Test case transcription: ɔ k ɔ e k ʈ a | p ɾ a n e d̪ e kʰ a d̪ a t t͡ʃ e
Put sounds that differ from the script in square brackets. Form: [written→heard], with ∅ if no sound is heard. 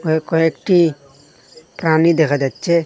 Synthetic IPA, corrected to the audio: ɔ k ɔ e k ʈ [a→i] | p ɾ a n [e→i] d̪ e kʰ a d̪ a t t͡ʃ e